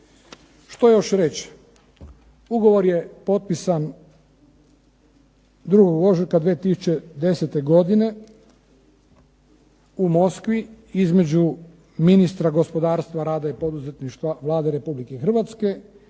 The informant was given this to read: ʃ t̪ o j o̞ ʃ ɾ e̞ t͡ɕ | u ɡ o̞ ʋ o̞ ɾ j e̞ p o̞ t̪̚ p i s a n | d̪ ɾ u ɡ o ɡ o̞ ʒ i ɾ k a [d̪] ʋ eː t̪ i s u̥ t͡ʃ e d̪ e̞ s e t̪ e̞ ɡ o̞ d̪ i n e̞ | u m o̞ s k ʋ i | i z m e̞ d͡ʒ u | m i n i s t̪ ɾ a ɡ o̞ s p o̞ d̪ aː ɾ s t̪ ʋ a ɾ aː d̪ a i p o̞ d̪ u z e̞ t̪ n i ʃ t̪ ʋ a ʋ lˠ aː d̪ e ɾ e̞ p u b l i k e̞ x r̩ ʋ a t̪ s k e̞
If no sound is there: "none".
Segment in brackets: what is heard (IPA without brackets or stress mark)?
d̪